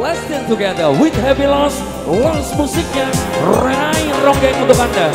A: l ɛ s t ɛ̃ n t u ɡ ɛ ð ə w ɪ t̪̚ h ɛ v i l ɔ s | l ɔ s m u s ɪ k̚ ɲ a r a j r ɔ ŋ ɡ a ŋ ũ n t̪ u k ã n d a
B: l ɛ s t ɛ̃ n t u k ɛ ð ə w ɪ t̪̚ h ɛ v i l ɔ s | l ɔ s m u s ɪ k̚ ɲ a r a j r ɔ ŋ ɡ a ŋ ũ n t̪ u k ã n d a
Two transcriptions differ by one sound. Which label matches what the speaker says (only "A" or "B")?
A